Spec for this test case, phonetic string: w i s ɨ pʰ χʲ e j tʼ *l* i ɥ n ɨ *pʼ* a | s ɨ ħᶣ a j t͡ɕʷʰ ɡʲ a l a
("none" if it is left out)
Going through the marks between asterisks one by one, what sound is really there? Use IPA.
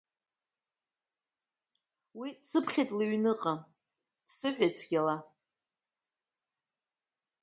l, qʼ

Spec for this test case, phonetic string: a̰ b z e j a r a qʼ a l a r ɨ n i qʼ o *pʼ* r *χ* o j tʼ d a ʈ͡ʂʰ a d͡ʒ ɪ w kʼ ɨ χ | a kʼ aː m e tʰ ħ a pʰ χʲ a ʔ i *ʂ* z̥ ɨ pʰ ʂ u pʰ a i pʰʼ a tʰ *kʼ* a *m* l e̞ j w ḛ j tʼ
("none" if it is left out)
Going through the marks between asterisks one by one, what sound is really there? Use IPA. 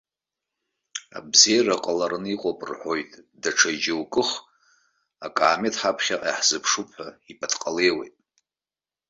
pʼ, ħ, ħ, qʼ, none

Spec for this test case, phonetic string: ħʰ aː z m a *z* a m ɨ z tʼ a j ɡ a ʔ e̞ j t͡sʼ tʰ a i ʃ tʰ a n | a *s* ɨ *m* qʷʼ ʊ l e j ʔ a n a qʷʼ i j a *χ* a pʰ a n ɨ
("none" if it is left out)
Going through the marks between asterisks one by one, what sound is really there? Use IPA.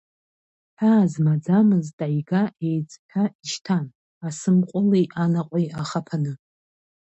d͡z, s, m, χ

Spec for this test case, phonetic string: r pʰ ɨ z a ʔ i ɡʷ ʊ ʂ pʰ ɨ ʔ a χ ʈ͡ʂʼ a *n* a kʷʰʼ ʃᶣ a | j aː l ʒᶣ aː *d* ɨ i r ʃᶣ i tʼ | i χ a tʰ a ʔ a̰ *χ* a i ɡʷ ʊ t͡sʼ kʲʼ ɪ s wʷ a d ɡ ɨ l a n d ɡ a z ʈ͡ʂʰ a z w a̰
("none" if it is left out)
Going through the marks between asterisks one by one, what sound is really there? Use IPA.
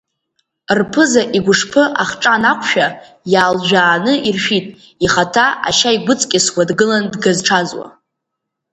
n, n, ʃ

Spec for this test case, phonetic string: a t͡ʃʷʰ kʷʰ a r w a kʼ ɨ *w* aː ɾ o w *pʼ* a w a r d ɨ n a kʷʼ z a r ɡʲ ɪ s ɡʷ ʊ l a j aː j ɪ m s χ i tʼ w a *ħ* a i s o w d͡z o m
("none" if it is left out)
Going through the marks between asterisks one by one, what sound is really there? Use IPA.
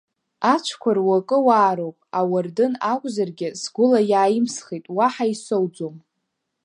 w, pʼ, ħ

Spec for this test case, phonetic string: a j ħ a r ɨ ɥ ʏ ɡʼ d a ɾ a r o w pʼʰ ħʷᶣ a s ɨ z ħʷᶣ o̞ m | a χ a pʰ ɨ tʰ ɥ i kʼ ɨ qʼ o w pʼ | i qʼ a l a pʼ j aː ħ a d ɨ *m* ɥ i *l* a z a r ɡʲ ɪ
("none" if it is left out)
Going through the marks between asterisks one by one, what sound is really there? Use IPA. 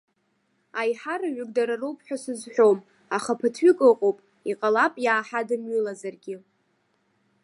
m, l

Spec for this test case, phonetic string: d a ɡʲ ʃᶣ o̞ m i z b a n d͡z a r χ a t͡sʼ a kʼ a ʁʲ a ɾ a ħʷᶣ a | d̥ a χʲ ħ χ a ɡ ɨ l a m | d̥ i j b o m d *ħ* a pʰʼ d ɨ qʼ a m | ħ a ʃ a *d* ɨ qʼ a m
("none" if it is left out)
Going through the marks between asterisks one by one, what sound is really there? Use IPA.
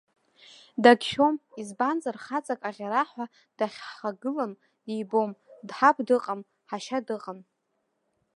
ħ, d

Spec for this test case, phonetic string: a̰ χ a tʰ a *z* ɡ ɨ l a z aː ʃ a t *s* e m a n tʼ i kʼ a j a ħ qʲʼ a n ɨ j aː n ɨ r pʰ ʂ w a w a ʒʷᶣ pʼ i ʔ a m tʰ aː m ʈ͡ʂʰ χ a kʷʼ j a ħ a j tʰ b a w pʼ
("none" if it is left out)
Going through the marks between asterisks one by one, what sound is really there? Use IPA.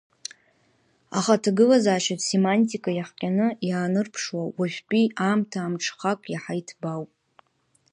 none, s

